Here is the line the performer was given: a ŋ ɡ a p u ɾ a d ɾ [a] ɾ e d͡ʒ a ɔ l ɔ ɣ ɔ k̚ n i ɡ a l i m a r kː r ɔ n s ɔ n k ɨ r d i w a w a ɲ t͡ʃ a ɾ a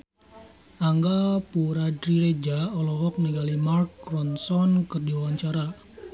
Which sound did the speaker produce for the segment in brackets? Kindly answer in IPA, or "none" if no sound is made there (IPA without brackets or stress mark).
i